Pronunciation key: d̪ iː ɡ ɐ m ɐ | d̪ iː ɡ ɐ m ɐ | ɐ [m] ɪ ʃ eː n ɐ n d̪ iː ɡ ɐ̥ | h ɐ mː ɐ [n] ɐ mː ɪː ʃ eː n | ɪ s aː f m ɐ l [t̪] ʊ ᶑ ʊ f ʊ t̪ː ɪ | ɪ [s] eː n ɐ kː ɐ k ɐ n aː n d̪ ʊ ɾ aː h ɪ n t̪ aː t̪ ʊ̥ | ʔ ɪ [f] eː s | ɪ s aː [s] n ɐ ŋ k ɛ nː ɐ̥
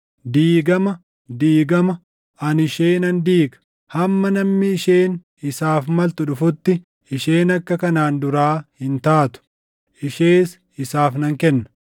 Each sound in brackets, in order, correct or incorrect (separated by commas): incorrect, correct, correct, incorrect, incorrect, incorrect